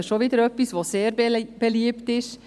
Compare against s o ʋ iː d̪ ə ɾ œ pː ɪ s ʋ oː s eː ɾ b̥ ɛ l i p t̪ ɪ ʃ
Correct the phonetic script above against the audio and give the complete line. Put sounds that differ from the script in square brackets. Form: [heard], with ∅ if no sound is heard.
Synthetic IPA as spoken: [ʃ] o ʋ iː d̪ ə ɾ œ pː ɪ s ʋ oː s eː ɾ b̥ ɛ l [iː] p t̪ ɪ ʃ